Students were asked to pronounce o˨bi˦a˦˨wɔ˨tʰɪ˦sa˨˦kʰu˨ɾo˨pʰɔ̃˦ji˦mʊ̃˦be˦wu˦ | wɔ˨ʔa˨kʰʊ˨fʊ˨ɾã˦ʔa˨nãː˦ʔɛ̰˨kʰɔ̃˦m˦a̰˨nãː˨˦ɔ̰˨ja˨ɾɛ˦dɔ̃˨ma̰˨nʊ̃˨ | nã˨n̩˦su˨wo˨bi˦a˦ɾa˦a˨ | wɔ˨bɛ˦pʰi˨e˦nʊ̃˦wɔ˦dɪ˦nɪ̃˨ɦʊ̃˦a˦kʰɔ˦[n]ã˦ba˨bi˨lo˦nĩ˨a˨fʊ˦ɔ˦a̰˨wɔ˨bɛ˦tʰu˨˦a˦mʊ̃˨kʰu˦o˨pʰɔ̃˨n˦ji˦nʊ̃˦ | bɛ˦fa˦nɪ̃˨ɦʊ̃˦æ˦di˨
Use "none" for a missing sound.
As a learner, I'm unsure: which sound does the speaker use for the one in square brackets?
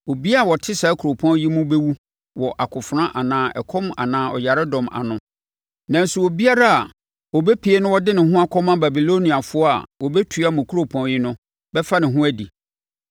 m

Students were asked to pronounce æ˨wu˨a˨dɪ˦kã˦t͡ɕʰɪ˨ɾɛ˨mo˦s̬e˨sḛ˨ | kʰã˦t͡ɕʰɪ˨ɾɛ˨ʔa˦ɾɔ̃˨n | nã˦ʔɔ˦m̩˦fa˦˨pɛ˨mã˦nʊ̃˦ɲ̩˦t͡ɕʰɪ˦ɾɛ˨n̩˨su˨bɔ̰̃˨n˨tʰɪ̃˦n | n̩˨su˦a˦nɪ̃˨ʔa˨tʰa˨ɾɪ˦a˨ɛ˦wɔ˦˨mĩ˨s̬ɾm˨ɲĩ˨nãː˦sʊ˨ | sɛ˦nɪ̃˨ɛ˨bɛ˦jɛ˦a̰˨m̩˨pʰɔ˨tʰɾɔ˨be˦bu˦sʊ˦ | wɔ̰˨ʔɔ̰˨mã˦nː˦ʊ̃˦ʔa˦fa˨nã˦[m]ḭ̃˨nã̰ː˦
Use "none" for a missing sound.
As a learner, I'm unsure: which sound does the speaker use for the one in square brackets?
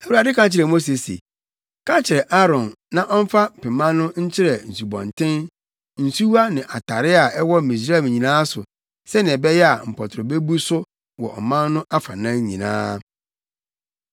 ɲ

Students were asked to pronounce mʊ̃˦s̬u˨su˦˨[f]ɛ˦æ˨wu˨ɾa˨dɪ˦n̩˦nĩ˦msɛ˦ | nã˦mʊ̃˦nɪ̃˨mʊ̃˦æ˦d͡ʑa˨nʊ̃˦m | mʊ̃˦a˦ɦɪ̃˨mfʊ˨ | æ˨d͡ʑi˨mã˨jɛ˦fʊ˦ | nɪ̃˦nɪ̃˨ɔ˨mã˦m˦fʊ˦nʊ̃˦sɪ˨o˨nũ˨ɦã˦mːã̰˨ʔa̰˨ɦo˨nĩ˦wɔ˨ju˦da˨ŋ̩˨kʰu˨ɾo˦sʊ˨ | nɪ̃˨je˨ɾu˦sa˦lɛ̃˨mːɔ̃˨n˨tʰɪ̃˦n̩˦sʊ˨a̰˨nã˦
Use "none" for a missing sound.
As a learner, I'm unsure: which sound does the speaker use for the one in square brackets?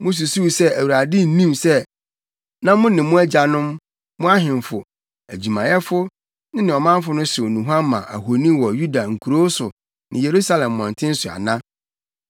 s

